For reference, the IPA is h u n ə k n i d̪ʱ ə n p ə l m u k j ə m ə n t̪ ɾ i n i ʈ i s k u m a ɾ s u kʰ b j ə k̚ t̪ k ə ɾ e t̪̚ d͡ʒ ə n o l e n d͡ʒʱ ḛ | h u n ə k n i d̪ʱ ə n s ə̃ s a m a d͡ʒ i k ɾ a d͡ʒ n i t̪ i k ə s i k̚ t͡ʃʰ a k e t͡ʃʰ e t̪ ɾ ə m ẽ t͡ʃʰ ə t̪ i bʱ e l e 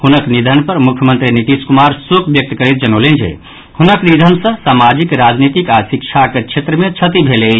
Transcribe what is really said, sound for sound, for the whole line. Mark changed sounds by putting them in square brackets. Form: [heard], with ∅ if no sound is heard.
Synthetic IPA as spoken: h u n ə k n i d̪ʱ ə n p ə [ɾ] m u [kʰ] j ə m ə n t̪ ɾ i n i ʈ i s k u m a ɾ s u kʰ b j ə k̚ t̪ k ə ɾ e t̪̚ d͡ʒ ə n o l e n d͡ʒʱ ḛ | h u n ə k n i d̪ʱ ə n s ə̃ s a m a d͡ʒ i k ɾ a d͡ʒ n i t̪ i k [a] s i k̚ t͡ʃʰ a k e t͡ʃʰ e t̪ ɾ ə m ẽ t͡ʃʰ ə t̪ i bʱ e l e